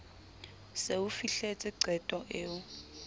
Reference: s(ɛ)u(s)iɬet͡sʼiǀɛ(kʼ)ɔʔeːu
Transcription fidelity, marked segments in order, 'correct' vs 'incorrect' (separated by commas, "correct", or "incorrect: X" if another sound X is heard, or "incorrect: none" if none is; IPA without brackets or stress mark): incorrect: e, incorrect: f, incorrect: tʼ